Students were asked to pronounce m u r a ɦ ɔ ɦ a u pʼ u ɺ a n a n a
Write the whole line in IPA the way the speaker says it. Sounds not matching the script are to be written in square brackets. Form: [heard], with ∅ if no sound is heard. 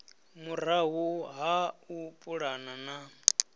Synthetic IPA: m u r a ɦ [u] ɦ a u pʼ u ɺ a n a n a